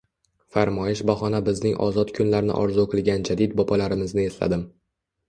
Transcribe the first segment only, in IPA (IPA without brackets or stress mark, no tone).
f